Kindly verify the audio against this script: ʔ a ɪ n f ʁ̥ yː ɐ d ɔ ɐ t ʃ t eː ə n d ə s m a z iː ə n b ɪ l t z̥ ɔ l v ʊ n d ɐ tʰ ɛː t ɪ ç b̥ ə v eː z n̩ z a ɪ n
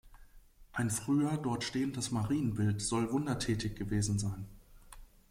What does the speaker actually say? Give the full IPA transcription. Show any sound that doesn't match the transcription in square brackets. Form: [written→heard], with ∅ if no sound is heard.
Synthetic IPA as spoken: ʔ a ɪ n f ʁ̥ yː ɐ d ɔ ɐ t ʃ t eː ə n d ə s m a [z→ʁ] iː ə n b ɪ l t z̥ ɔ l v ʊ n d ɐ tʰ ɛː t ɪ ç [b̥→ɡ̥] ə v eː z n̩ z a ɪ n

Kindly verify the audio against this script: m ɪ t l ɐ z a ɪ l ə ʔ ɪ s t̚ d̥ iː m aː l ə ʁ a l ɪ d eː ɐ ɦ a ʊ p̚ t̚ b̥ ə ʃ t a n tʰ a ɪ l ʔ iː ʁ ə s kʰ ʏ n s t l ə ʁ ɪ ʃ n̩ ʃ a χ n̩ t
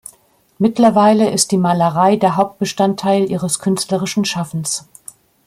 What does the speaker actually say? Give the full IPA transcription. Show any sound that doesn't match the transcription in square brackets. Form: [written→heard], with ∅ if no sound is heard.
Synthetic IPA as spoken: m ɪ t l ɐ [z→v] a ɪ l ə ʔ ɪ s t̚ d̥ iː m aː l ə ʁ a [l→∅] ɪ d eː ɐ ɦ a ʊ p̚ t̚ b̥ ə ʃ t a n tʰ a ɪ l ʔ iː ʁ ə s kʰ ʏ n s t l ə ʁ ɪ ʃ n̩ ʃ a [χ→f] n̩ [t→s]

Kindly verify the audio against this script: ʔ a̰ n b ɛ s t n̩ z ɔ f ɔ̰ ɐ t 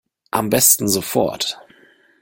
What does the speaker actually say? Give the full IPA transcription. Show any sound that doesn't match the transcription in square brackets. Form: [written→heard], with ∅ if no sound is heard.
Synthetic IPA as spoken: ʔ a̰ [n→m] b ɛ s t n̩ z [ɔ→o] f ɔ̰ ɐ t

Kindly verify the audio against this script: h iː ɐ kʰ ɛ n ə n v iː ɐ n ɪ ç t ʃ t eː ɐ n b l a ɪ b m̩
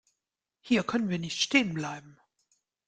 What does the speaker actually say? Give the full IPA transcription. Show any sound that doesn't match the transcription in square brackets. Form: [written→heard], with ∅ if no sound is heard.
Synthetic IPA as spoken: h iː ɐ kʰ [ɛ→œ] n ə n v iː ɐ n ɪ ç t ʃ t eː [ɐ→ə] n b l a ɪ b m̩

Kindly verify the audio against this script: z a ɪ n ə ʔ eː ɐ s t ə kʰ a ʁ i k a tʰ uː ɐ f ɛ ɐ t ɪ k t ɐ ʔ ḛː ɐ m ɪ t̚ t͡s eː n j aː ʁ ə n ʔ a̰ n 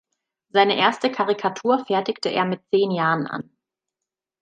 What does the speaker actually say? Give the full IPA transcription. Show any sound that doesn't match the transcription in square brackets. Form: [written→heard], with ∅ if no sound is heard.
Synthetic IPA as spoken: z a ɪ n ə ʔ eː ɐ s t ə kʰ a ʁ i [k→kʰ] a tʰ uː ɐ f ɛ ɐ t ɪ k t [ɐ→ə] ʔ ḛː ɐ m ɪ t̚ t͡s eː n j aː ʁ ə n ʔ a̰ n

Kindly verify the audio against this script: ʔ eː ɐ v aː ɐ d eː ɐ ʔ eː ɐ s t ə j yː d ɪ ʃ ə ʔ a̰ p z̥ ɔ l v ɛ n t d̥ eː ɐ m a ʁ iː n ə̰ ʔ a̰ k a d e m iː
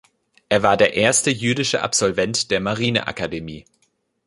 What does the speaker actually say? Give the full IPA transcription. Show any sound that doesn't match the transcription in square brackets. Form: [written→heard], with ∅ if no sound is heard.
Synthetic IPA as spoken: ʔ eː ɐ v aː ɐ d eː ɐ ʔ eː ɐ s t ə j yː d ɪ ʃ ə ʔ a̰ p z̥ ɔ l v ɛ n t d̥ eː ɐ m a ʁ iː n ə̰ ʔ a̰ k a d e m iː

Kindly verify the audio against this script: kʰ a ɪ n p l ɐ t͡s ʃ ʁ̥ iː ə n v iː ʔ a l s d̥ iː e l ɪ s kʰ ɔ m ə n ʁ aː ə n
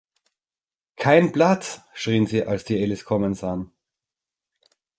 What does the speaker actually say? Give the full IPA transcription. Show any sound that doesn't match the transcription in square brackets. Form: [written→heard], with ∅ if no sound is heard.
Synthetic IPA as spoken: kʰ a ɪ n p l [ɐ→a] t͡s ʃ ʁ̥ iː ə n [v→z] iː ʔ a l s d̥ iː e l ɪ s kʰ ɔ m ə n [ʁ→z] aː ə n

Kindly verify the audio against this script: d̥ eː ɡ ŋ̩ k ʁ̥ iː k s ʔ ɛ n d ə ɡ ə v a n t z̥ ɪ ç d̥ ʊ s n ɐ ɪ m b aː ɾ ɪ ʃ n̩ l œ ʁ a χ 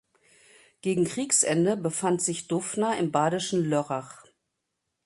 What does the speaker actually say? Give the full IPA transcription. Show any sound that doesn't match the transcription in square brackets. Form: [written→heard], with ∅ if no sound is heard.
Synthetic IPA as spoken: [d̥→ɡ̥] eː ɡ ŋ̩ k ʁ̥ iː k s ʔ ɛ n d ə [ɡ→b] ə [v→f] a n t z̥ ɪ ç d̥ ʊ [s→f] n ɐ ɪ m b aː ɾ ɪ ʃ n̩ l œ ʁ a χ

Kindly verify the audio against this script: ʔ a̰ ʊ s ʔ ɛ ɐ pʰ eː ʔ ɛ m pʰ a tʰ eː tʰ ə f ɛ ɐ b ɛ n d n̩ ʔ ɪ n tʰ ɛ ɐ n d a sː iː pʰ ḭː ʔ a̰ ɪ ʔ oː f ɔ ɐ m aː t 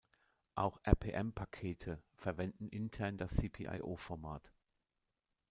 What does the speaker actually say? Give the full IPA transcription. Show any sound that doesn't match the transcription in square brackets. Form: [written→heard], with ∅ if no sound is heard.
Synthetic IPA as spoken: ʔ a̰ ʊ [s→x] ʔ ɛ ɐ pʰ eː ʔ ɛ m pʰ a [tʰ→kʰ] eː tʰ ə f ɛ ɐ [b→v] ɛ n d n̩ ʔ ɪ n tʰ ɛ ɐ n d a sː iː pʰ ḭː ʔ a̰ ɪ ʔ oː f ɔ ɐ m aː t

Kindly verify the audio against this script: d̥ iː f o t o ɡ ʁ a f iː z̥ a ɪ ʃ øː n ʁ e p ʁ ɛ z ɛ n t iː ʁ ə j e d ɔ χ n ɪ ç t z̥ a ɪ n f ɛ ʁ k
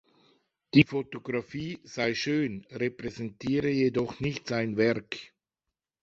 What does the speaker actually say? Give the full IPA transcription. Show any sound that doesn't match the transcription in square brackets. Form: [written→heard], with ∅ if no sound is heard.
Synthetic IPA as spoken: d̥ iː f o t o ɡ ʁ a f iː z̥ a ɪ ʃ øː n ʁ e p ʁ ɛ z ɛ n t iː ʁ ə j e d ɔ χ n ɪ ç t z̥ a ɪ n [f→v] ɛ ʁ k

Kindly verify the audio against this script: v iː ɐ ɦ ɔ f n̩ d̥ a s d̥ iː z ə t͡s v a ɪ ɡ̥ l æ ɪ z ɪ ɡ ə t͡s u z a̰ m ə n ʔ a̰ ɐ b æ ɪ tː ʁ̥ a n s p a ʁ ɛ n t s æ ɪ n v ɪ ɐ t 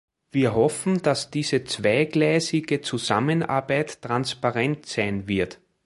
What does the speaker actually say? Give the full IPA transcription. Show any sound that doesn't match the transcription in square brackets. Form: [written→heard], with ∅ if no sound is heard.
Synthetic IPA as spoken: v iː ɐ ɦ ɔ f n̩ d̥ a s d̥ iː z ə t͡s v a ɪ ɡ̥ l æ ɪ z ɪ ɡ ə t͡s u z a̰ m ə n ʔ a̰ ɐ b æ ɪ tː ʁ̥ a n s p a ʁ ɛ n t s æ ɪ n v ɪ ɐ t

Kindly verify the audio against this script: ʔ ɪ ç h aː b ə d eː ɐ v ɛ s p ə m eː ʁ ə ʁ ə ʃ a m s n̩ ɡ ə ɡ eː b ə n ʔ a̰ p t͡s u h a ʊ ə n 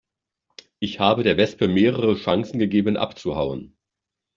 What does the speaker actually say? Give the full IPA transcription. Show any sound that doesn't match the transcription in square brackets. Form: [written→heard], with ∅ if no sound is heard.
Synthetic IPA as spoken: ʔ ɪ ç h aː b ə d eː ɐ v ɛ s p ə m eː ʁ ə ʁ ə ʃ a [m→ŋ] s n̩ ɡ ə ɡ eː b ə n ʔ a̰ p t͡s u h a ʊ ə n

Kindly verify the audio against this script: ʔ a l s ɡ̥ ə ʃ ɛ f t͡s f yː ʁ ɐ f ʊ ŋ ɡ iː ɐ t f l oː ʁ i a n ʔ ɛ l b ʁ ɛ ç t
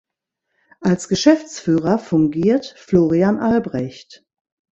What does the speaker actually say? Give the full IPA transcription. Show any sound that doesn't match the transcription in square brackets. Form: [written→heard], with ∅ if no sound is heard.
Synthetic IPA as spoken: ʔ a l s ɡ̥ ə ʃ ɛ f t͡s f yː ʁ ɐ f ʊ ŋ ɡ iː ɐ t f l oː ʁ i a n ʔ [ɛ→a] l b ʁ ɛ ç t

